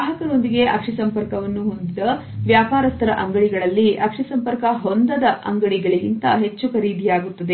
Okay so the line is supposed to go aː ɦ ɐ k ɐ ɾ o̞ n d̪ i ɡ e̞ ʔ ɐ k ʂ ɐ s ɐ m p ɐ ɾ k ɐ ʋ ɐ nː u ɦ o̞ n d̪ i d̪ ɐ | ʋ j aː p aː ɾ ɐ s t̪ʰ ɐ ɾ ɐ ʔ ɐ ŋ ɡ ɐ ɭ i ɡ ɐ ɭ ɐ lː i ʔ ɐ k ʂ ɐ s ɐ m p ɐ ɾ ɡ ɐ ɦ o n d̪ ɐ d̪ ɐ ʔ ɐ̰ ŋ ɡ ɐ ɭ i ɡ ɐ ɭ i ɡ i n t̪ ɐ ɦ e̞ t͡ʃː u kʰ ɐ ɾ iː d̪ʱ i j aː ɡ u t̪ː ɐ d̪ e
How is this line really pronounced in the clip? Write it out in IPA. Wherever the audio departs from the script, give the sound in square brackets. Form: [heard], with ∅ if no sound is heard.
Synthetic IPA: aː ɦ ɐ k ɐ ɾ o̞ n d̪ i ɡ e̞ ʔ ɐ k ʂ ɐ s ɐ m p ɐ ɾ k ɐ ʋ ɐ nː u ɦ o̞ n d̪ i d̪ ɐ | ʋ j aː p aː ɾ ɐ s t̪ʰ ɐ ɾ ɐ ʔ ɐ ŋ ɡ ɐ ɭ i ɡ ɐ ɭ ɐ lː i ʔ ɐ k ʂ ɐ s ɐ m p ɐ ɾ [k] ɐ ɦ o n d̪ ɐ d̪ ɐ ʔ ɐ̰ ŋ ɡ ɐ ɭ i ɡ ɐ ɭ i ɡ i n t̪ ɐ ɦ e̞ t͡ʃː u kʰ ɐ ɾ iː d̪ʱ i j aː ɡ u t̪ː ɐ d̪ e